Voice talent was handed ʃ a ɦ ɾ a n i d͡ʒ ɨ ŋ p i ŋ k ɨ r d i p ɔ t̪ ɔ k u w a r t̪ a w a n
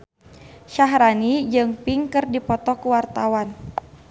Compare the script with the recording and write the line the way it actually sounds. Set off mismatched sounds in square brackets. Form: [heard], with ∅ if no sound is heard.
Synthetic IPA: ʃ a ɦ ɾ a n i d͡ʒ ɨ ŋ p i ŋ k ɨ r d i p ɔ t̪ ɔ k u w a r t̪ a w a n